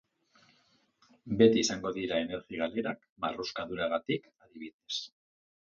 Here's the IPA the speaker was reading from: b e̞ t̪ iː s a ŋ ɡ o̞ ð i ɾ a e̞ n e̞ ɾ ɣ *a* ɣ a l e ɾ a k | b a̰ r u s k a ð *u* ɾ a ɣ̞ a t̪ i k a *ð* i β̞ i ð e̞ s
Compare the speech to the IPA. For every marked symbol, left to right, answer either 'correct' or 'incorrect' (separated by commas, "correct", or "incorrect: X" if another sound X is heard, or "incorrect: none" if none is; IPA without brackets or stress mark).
incorrect: i, correct, correct